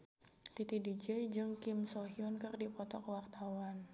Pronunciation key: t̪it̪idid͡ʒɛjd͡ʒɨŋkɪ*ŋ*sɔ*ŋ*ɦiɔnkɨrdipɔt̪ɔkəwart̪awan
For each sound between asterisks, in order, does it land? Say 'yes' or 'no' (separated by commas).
no, no